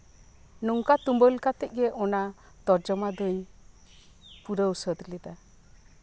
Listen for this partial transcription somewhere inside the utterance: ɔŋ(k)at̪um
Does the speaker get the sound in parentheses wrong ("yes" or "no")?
no